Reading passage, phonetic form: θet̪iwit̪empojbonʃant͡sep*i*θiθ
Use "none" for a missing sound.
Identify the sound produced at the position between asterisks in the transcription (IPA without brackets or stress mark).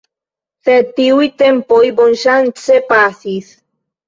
a